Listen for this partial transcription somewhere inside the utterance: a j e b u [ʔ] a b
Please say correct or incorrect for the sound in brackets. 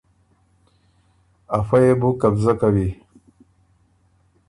incorrect